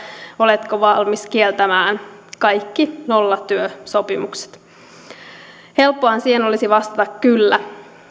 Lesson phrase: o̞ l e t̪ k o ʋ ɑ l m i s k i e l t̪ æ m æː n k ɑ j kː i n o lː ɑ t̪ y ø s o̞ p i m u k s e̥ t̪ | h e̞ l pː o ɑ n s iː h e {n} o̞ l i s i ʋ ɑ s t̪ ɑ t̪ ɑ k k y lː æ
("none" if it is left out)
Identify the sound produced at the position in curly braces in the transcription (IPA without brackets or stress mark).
n